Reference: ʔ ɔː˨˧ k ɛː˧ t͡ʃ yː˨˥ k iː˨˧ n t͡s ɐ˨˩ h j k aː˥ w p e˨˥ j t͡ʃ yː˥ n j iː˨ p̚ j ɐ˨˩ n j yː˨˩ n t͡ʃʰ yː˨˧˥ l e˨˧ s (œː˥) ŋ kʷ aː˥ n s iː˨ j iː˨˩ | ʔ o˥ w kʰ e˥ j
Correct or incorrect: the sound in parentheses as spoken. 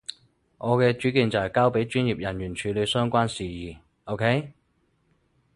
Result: correct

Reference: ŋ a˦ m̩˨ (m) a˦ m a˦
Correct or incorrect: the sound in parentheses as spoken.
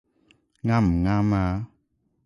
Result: incorrect: ŋ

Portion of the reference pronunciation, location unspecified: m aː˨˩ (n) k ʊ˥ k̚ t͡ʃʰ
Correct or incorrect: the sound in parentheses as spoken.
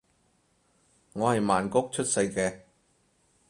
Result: correct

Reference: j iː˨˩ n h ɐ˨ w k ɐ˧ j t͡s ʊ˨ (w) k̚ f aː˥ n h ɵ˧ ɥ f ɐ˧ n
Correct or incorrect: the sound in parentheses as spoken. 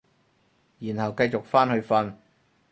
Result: incorrect: none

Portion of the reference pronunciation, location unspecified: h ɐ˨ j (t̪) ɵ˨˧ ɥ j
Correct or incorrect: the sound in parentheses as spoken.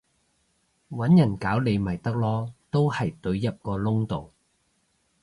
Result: correct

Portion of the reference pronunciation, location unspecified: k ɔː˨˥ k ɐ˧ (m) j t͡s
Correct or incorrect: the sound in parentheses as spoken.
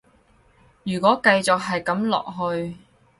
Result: incorrect: none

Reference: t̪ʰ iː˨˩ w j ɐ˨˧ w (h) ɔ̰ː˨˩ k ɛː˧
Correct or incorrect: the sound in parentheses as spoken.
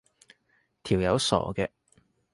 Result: incorrect: s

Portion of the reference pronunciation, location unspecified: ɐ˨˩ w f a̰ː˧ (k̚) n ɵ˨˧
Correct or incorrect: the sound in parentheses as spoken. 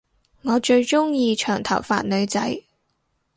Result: incorrect: t̚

